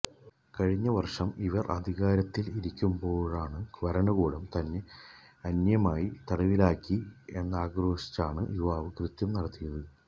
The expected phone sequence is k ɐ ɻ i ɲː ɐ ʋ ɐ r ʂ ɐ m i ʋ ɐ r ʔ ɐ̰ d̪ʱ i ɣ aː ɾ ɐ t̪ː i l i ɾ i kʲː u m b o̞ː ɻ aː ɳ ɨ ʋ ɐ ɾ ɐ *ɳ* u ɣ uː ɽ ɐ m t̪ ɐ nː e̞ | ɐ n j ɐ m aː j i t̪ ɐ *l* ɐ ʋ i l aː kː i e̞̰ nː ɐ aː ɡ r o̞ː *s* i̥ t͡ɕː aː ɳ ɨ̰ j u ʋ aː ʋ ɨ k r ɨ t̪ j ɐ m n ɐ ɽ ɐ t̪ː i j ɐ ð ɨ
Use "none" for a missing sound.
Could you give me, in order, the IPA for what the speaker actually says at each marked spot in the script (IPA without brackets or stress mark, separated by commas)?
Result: ɳ, ɽ, ʂ